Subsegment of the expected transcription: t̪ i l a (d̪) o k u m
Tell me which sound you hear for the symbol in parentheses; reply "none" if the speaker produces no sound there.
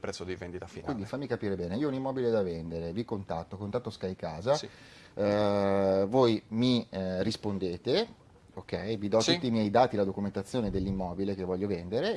d̪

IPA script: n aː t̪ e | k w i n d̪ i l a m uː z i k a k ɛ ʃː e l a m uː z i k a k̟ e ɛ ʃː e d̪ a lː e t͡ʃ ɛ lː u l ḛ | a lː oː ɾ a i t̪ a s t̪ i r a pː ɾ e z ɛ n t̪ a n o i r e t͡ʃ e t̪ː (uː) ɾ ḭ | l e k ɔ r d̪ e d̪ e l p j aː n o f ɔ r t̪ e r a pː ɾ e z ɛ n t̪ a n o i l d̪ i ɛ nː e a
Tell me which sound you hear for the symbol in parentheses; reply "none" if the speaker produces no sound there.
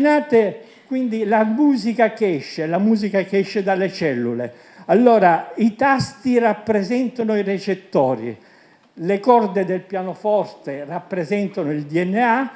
ɔː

